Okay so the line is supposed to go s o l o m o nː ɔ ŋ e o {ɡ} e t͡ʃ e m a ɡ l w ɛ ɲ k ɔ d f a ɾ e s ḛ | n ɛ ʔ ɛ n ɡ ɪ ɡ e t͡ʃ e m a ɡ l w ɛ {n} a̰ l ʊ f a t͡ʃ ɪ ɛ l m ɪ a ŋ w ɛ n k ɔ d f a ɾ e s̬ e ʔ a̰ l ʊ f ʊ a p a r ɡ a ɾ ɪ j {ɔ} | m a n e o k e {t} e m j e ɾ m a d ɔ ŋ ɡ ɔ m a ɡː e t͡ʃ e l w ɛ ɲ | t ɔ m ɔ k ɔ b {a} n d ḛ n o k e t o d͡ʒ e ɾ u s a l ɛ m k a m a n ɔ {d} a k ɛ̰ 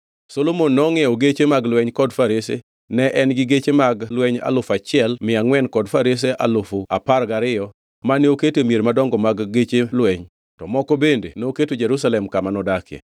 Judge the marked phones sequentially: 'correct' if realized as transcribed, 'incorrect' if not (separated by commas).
correct, incorrect, correct, correct, incorrect, correct